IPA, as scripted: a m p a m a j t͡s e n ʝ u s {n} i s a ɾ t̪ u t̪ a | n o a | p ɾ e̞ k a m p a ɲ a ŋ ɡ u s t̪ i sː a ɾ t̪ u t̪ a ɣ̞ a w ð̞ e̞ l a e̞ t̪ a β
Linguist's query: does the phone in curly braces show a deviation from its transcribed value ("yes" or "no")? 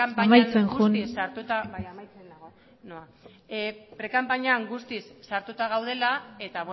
no